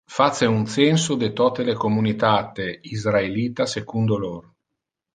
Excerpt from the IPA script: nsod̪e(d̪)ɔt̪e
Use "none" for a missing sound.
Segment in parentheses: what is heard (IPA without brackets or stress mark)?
t̪